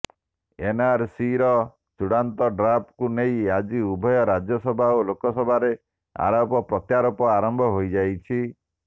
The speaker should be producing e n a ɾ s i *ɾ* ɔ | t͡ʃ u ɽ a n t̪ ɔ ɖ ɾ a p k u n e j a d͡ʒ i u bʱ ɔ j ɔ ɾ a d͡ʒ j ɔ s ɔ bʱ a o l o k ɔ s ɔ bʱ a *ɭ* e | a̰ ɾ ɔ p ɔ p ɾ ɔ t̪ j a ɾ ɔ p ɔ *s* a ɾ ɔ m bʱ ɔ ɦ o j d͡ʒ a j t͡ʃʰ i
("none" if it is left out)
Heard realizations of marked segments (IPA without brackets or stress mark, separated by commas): ɾ, ɾ, none